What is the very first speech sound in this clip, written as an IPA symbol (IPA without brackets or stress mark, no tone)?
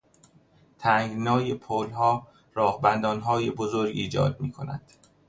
t̪ʰ